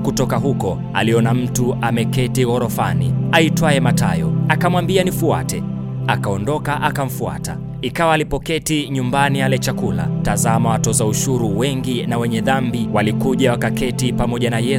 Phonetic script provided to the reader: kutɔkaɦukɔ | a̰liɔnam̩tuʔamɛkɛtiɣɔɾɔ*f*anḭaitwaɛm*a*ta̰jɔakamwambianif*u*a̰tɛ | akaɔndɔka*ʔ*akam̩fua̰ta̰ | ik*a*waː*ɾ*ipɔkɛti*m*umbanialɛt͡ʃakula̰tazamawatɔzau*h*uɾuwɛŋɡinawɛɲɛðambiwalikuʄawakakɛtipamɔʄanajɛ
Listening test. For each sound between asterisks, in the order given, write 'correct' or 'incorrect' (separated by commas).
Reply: correct, correct, correct, correct, correct, incorrect, incorrect, incorrect